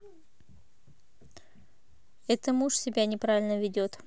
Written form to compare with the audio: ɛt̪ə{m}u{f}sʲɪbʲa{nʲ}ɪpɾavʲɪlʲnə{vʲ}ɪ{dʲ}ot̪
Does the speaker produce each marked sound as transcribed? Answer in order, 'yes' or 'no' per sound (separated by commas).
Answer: yes, no, yes, yes, yes